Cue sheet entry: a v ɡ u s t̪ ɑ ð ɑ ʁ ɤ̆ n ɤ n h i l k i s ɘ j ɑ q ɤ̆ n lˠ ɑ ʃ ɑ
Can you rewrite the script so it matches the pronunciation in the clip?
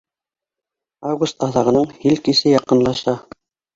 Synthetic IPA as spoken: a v ɡ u s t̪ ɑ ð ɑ ʁ ɤ̆ n ɤ ɴ h i l k i s ɘ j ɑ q ɤ̆ n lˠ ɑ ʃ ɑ